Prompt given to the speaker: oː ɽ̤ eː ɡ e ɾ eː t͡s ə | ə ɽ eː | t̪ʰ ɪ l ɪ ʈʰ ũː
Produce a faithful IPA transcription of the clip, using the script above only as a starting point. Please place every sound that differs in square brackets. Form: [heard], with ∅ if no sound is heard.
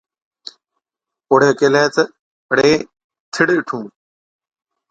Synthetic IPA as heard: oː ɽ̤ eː [k] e [l] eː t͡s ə | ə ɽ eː | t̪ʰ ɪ [ɽ] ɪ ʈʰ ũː